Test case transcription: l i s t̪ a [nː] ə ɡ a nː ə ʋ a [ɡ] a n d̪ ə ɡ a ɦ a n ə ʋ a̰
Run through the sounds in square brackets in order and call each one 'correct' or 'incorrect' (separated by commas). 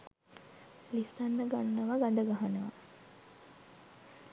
correct, correct